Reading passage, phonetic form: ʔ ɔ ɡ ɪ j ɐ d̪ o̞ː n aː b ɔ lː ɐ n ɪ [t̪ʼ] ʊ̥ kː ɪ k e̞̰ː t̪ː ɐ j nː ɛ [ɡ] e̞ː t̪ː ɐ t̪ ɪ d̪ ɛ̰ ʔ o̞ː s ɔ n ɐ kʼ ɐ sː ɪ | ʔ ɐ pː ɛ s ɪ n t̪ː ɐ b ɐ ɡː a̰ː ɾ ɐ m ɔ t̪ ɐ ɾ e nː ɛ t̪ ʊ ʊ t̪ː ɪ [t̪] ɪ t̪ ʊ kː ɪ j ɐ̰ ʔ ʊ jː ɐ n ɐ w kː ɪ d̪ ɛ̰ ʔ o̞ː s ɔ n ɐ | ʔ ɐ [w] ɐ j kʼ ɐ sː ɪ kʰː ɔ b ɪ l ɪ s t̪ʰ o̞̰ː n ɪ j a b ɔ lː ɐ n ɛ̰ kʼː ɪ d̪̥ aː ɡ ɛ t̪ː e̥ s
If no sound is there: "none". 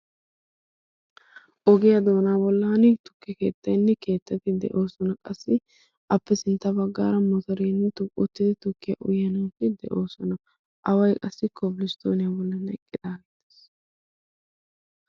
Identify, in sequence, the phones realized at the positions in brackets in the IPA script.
t̪, k, d̪, w

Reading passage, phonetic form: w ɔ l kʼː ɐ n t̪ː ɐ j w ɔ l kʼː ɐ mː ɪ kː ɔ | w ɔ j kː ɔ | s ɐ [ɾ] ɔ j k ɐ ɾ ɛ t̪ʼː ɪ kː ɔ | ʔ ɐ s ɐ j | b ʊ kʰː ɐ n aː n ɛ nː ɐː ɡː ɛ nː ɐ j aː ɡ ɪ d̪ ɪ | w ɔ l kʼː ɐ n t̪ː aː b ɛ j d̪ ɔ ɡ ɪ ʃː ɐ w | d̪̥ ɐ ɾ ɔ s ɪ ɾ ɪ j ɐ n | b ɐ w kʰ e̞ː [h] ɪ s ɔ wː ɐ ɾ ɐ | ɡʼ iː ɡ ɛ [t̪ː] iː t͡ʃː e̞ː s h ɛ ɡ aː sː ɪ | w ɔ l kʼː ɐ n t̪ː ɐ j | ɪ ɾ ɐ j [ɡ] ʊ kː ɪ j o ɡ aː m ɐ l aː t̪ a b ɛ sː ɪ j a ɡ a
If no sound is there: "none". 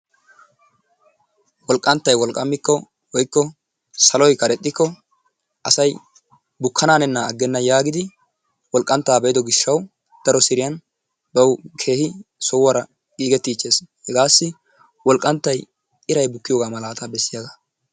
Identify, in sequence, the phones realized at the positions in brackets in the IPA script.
l, h, t̪ː, b

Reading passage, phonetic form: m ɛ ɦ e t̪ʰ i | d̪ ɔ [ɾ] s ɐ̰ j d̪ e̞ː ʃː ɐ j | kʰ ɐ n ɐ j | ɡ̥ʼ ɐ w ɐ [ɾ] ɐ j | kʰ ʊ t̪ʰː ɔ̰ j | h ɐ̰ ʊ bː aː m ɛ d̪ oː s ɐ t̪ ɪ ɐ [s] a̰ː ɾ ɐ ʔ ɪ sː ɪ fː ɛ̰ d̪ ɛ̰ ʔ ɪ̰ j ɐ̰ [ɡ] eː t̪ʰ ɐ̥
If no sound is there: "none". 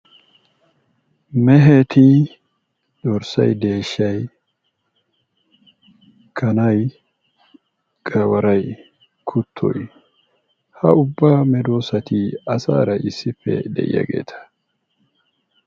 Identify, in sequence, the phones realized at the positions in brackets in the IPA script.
ɾ, ɾ, s, ɡ

